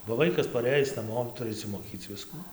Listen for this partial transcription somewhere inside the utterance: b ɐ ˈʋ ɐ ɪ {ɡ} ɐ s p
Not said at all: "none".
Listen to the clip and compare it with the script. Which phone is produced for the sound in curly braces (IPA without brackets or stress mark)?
k